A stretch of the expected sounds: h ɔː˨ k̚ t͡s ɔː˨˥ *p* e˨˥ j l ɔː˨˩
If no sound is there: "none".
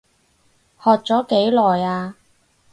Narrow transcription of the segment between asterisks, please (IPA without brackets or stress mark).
k